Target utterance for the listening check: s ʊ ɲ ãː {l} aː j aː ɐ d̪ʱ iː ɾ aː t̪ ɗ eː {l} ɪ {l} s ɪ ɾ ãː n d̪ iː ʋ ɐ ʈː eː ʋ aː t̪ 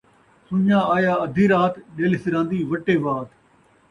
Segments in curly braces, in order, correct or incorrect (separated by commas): incorrect, correct, incorrect